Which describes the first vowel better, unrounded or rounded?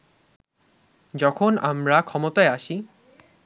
rounded